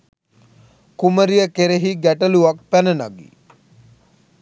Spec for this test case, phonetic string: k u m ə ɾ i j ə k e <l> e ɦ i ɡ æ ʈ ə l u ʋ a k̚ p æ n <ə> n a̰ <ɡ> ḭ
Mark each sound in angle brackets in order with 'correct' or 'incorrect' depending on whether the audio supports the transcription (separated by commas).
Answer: incorrect, correct, correct